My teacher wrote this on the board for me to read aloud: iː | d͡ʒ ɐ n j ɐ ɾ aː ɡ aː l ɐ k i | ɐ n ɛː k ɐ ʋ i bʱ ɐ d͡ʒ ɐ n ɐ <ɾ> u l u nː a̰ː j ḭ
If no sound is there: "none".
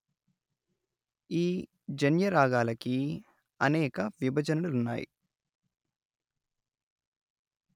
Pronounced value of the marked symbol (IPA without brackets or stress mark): l